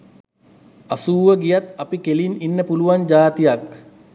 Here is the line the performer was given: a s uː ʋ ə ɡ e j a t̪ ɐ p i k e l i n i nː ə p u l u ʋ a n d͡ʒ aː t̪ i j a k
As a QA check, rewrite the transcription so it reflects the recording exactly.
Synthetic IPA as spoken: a s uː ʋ ə ɡ i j a t̪ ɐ p i k e l i n i nː ə p u l u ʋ a n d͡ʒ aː t̪ i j a k